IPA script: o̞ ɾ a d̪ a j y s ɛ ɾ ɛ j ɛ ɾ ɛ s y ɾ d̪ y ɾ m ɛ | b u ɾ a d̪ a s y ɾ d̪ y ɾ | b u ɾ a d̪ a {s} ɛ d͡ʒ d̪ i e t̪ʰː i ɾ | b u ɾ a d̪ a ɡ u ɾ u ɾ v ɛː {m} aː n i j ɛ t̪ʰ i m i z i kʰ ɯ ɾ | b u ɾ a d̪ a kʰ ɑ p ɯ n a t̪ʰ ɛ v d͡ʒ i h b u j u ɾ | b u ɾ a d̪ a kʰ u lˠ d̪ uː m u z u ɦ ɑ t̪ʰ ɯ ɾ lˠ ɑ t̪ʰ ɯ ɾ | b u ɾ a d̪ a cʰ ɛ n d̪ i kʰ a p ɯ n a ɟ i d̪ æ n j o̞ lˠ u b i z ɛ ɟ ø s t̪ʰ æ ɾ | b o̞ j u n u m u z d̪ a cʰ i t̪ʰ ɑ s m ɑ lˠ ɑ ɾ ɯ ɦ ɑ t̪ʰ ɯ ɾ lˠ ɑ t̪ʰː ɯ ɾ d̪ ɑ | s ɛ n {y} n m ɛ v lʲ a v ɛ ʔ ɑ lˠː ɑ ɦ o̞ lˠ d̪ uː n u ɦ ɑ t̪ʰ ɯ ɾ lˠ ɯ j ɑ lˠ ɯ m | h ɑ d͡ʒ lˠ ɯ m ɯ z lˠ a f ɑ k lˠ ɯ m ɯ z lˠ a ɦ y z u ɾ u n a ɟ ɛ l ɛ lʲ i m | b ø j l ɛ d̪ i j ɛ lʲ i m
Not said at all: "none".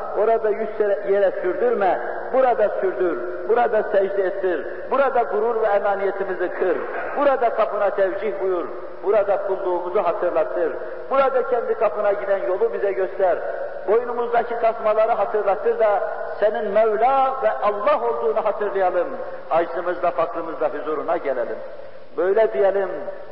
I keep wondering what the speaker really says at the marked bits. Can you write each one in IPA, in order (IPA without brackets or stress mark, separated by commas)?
s, m, i